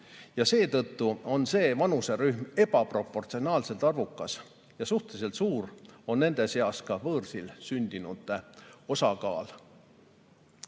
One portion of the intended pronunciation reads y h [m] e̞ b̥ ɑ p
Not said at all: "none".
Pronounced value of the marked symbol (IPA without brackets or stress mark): m